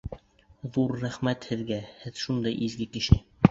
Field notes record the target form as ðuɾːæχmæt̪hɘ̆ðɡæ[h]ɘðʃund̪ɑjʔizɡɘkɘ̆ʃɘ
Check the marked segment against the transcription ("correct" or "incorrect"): correct